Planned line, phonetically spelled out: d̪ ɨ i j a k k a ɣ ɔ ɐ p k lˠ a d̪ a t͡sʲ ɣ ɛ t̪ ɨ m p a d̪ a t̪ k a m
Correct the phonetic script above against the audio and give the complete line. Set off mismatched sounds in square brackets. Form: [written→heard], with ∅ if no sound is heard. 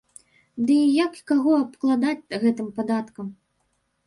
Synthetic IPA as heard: d̪ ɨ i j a k k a ɣ ɔ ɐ p k lˠ a d̪ a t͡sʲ ɣ ɛ t̪ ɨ m p a d̪ a t̪ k [a→ɐ] m